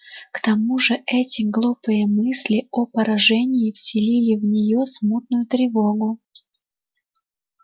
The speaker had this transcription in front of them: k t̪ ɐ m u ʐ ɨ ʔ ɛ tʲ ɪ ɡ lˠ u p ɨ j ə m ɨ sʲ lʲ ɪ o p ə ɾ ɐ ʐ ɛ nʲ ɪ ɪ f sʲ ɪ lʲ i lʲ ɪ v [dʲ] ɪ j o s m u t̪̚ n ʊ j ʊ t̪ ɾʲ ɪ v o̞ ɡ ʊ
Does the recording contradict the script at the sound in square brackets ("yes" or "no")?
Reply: yes